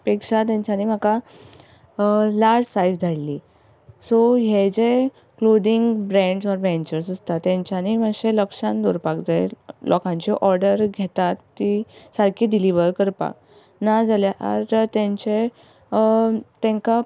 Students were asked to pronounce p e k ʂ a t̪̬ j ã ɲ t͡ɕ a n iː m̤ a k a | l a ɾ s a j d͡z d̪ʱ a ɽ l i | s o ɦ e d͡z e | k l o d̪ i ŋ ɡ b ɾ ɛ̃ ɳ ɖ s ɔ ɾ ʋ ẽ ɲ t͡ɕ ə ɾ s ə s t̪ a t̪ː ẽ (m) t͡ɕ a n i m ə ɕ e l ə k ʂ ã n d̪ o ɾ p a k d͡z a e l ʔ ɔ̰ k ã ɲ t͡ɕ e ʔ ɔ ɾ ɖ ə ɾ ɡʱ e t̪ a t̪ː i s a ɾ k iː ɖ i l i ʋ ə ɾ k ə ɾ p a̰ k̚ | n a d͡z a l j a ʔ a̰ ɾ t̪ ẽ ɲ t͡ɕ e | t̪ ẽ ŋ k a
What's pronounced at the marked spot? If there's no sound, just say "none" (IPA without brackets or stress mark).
ɲ